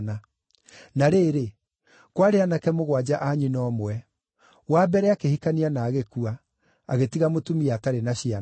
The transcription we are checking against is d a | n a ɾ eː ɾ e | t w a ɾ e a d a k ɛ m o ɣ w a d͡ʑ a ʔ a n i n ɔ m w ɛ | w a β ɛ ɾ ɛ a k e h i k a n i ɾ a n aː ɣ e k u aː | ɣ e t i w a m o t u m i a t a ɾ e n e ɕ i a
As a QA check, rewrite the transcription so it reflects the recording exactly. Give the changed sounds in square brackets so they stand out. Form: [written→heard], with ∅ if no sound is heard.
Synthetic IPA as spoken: [d→n] a | n a ɾ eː ɾ e | [t→k] w a ɾ e a [d→n] a k ɛ m o ɣ w a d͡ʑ a ʔ a [n→ɲ] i n ɔ m w ɛ | w a [β→b] ɛ ɾ ɛ a k e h i k a n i [ɾ→∅] a n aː ɣ e k u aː | ɣ e t i [w→ɣ] a m o t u m i a t a ɾ e n [e→a] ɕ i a